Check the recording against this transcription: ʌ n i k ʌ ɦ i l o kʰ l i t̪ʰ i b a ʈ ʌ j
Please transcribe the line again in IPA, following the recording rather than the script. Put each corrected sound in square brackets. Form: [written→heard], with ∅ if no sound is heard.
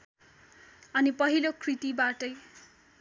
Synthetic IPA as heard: ʌ n i [k→p] ʌ ɦ i l o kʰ [l→r] i [t̪ʰ→t̪] i b a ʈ ʌ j